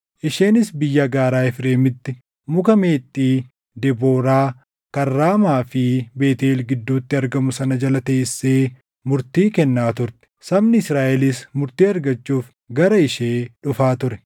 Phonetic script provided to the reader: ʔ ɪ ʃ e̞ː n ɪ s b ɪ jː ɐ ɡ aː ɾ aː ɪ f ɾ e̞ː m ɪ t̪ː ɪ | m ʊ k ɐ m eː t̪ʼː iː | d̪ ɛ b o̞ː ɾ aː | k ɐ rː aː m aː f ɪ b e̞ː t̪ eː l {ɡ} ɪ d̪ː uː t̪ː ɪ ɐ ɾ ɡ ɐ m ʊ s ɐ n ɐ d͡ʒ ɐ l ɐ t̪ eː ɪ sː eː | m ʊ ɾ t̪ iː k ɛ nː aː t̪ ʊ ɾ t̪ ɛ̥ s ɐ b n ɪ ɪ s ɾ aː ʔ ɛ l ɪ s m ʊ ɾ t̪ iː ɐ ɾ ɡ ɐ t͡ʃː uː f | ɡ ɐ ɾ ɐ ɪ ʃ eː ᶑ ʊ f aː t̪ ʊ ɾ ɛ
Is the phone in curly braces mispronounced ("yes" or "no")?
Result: no